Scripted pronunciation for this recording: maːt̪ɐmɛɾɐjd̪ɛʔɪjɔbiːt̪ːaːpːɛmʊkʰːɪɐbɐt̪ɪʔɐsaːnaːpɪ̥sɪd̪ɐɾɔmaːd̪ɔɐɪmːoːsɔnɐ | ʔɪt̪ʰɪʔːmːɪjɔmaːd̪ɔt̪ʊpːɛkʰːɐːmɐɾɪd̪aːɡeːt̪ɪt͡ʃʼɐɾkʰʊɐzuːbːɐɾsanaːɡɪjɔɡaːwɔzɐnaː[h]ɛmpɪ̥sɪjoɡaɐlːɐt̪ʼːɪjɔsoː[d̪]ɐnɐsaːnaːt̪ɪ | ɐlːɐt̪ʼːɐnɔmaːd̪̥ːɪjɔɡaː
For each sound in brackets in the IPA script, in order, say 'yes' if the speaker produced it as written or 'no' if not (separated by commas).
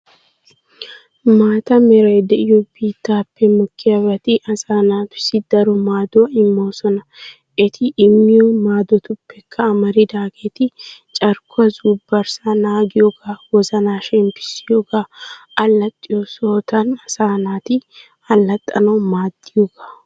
no, no